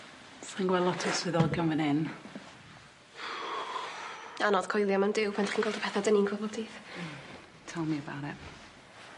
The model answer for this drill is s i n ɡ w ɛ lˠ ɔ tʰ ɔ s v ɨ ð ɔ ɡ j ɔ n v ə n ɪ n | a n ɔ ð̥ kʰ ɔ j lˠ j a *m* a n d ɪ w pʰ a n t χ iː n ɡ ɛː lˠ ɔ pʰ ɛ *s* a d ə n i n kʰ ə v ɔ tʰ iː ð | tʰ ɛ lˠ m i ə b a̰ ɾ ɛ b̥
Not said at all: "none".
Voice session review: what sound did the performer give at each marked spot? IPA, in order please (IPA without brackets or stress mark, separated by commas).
m, θ